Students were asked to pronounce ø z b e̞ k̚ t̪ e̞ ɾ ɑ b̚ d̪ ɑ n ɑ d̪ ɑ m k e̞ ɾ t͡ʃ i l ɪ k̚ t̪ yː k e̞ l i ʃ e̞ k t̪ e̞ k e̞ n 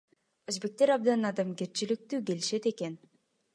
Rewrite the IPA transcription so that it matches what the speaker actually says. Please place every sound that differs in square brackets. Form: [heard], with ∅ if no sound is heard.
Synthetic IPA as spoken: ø z b e̞ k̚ t̪ e̞ ɾ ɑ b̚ d̪ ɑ n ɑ d̪ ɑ m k e̞ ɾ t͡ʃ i l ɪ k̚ t̪ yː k e̞ l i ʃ e̞ [∅] t̪ e̞ k e̞ n